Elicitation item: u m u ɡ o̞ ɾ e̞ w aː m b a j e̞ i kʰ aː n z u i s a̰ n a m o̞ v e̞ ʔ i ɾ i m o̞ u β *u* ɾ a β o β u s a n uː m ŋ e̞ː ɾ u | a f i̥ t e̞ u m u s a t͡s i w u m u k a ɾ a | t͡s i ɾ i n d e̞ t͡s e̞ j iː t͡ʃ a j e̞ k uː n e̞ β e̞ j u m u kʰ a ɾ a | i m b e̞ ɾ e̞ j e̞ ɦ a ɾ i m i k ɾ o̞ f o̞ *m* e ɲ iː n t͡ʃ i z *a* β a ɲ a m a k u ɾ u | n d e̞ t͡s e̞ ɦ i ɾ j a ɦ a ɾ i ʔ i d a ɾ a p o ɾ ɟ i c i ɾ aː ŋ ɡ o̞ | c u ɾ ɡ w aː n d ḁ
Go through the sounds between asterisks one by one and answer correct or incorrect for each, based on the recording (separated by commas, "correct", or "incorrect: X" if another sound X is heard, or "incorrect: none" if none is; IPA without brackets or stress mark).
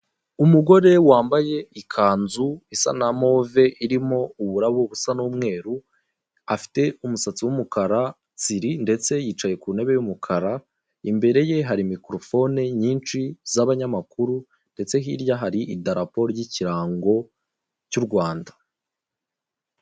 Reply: correct, incorrect: n, correct